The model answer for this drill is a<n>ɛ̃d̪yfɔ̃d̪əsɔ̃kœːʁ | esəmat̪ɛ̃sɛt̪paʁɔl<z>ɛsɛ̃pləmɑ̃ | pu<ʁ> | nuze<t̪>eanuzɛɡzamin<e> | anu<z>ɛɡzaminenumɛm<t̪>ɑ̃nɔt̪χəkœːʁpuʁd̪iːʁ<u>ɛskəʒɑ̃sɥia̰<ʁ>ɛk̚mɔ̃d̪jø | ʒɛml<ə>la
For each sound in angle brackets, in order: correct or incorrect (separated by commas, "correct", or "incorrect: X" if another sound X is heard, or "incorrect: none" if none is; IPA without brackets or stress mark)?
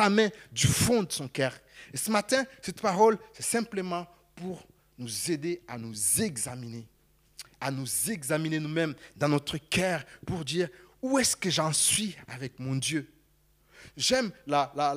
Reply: incorrect: m, incorrect: s, correct, incorrect: d̪, correct, correct, incorrect: d̪, correct, incorrect: v, incorrect: a